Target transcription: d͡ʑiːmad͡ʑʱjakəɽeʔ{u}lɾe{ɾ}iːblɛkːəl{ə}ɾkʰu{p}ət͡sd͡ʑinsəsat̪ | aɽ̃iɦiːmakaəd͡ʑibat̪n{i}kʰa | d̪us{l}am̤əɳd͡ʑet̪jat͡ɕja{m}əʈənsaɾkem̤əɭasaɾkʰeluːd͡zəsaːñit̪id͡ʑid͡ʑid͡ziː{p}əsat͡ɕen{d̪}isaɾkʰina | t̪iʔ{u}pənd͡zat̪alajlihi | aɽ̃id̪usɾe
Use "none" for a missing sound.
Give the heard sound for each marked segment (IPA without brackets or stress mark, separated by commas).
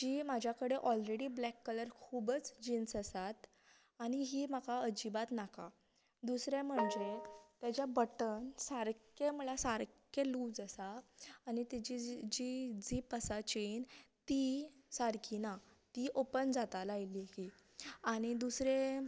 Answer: ɔ, ɽ, ə, b, a, ɾ, b, p, t̪, o